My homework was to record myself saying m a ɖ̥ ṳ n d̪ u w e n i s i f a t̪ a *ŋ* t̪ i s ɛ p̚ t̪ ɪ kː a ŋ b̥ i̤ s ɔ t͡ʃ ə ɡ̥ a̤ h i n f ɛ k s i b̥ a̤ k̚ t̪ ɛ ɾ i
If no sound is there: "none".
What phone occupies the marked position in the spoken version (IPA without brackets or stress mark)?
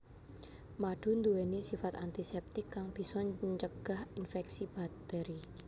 n